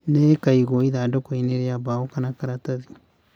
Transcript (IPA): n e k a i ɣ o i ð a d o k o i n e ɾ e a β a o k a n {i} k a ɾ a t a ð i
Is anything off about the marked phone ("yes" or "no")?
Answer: yes